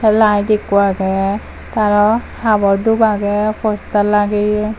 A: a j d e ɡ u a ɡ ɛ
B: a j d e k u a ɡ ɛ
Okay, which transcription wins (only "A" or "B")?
B